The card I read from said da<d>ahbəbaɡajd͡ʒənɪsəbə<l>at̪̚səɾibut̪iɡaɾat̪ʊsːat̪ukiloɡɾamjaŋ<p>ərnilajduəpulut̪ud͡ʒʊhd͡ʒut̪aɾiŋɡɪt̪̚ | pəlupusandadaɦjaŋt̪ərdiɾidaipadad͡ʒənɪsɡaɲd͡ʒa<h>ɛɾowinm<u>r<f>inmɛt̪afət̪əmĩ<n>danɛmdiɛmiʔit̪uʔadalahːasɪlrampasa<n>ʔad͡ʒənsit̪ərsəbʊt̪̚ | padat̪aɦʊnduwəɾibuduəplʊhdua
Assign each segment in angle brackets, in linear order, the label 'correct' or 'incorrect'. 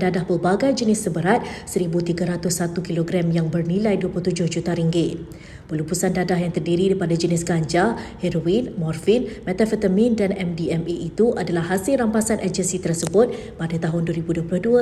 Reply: correct, incorrect: ɾ, incorrect: b, correct, incorrect: ɔ, correct, correct, correct

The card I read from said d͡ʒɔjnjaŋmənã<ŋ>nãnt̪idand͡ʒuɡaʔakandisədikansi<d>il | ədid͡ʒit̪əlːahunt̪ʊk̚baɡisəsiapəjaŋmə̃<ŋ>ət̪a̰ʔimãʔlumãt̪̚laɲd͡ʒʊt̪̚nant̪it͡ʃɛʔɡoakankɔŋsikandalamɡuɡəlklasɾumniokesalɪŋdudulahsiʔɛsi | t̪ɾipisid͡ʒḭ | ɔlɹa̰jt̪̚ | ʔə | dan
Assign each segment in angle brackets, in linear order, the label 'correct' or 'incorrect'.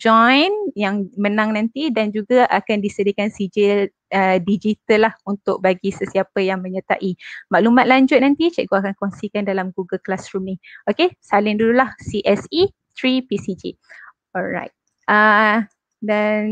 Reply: correct, incorrect: d͡ʒ, incorrect: ɲ

